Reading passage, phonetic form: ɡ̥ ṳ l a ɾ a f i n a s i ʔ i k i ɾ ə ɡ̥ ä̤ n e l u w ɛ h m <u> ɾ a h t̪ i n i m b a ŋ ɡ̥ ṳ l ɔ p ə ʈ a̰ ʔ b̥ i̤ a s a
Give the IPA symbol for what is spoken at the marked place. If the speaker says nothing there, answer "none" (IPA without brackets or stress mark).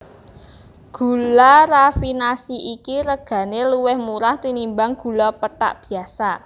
u